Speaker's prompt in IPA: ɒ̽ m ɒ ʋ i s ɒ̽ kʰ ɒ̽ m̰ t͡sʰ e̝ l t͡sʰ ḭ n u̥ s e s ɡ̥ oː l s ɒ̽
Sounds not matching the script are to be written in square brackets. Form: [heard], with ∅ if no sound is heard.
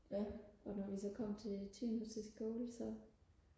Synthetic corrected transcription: ɒ̽ [n] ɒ ʋ i s ɒ̽ kʰ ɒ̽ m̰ t͡sʰ e̝ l t͡sʰ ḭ n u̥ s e s ɡ̥ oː l s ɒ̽